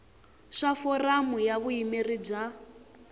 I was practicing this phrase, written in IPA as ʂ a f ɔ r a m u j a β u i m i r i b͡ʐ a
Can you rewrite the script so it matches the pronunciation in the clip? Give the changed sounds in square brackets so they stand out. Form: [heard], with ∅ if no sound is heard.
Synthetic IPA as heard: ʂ a f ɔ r a m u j a β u i m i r i b͡ʐ a